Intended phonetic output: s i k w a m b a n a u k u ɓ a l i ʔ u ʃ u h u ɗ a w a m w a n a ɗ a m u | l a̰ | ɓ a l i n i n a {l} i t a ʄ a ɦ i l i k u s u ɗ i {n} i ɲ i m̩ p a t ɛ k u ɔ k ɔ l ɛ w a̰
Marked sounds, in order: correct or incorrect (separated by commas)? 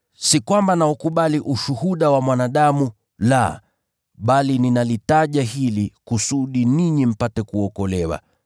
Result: correct, correct